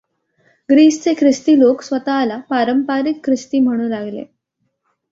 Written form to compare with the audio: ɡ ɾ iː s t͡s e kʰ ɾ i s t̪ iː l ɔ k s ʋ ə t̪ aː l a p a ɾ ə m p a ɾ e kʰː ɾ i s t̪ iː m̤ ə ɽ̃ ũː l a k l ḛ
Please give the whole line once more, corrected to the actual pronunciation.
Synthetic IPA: ɡ ɾ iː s t͡s e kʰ ɾ i s t̪ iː l o k s ʋ ə t̪ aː l a p a ɾ ə m p a ɾ i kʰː ɾ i s t̪ iː m̤ ə ɽ̃ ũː l a ɡ l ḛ